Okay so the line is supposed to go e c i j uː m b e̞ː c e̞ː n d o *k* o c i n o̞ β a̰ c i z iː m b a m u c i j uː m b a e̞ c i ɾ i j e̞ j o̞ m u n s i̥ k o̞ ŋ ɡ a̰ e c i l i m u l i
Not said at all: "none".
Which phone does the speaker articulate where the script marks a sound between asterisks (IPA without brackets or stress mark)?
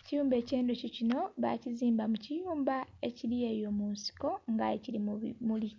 c